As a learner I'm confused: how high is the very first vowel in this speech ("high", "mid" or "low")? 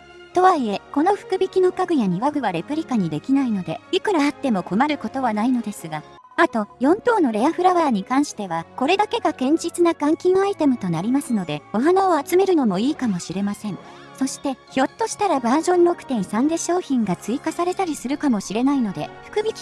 mid